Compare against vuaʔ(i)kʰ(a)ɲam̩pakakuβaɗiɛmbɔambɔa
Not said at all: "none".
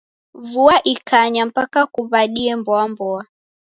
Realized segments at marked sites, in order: i, a

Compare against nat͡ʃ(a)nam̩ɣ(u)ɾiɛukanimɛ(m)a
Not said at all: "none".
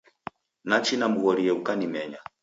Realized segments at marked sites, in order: i, ɔ, ɲ

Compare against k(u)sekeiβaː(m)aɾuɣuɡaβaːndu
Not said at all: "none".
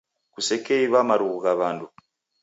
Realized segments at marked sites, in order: u, m

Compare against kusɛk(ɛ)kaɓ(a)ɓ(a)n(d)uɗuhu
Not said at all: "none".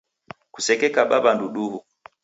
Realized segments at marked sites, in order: ɛ, a, a, d

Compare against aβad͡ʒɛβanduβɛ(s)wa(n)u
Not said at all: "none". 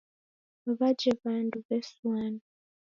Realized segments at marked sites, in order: s, n

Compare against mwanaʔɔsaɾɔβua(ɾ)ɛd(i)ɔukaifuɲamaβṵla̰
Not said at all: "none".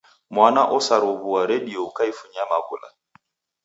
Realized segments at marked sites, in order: ɾ, i

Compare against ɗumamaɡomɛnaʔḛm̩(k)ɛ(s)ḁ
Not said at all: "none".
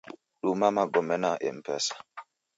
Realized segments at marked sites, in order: p, s

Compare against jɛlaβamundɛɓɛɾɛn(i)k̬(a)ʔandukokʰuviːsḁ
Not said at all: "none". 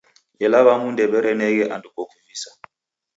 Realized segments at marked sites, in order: ɛ, ɛ

